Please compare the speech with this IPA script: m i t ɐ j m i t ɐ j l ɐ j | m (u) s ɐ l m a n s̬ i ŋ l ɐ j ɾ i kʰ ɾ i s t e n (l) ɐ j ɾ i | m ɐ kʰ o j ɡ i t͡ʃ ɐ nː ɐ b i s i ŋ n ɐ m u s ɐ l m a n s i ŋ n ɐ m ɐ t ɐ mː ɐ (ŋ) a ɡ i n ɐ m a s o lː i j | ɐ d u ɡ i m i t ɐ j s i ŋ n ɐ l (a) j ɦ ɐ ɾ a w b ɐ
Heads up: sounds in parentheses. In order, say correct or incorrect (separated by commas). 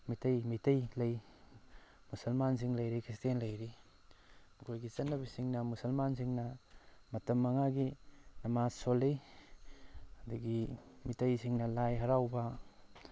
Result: correct, correct, correct, correct